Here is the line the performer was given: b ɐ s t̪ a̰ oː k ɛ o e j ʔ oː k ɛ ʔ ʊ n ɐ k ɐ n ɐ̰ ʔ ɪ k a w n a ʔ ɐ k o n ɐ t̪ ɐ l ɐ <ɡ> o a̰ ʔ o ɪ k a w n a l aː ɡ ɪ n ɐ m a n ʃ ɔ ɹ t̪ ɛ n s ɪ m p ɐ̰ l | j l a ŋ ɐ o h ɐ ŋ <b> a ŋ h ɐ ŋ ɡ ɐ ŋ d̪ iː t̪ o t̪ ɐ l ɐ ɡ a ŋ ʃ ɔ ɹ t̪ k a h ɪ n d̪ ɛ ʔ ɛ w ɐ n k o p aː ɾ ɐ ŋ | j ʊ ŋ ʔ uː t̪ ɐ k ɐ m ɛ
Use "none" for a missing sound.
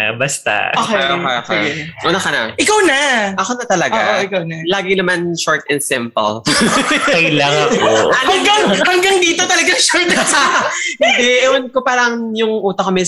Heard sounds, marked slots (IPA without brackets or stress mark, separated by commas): ɡ, ɡ